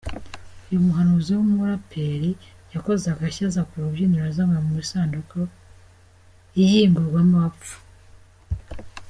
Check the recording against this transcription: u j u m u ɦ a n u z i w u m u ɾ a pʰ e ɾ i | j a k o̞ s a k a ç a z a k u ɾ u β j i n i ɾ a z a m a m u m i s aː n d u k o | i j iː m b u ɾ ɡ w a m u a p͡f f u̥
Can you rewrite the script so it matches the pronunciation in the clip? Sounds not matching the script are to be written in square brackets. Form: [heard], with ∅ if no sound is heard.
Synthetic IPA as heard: u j u m u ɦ a n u z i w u m u ɾ a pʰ e ɾ i | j a k o̞ [z] a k a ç a z a k u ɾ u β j i n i ɾ a z a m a m u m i s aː n d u k o | i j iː m b u ɾ ɡ w a m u a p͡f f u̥